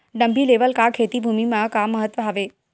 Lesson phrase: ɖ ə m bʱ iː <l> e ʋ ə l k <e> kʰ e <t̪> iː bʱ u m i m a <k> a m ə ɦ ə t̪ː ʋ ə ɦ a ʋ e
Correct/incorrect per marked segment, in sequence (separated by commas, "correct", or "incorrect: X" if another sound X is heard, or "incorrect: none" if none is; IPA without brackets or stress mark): correct, incorrect: a, correct, correct